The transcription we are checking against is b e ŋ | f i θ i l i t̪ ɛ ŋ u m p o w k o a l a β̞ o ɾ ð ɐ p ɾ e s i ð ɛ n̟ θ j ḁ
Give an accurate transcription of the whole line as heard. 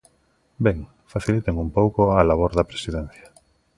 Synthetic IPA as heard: b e ŋ | f a θ i l i t̪ e ŋ u m p o w k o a l a β̞ o ɾ ð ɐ p ɾ e s i ð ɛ n̟ θ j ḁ